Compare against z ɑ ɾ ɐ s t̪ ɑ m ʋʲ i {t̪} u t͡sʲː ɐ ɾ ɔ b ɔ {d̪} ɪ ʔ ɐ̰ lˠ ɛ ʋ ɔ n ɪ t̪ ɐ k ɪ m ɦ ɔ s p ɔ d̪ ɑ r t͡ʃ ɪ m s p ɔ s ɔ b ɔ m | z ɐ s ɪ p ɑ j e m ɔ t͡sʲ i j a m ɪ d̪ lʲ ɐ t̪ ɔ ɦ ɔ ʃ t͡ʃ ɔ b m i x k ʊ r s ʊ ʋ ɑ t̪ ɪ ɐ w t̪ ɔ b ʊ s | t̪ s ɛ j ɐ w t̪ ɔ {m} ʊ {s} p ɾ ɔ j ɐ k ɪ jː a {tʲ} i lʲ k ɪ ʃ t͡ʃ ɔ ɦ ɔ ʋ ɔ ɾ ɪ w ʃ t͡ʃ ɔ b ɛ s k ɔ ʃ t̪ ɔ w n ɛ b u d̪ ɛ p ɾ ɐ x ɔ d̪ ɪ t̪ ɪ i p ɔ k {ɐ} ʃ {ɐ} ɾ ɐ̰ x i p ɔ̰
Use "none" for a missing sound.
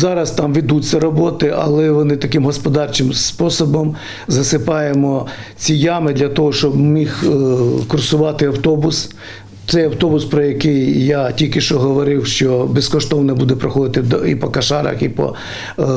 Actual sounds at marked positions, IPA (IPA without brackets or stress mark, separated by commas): d̪, t̪, b, s, tʲ, ɐ, ɑ